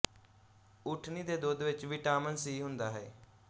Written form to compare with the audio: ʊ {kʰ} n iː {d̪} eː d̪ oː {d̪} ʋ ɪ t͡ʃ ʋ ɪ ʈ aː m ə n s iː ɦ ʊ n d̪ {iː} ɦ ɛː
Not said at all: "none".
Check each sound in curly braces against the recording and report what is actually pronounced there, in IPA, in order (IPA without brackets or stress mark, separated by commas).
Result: ʈʰ, d̪, d̪, aː